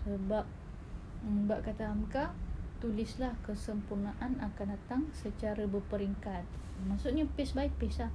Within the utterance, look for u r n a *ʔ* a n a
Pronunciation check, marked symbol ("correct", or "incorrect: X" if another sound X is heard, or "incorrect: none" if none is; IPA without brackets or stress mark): correct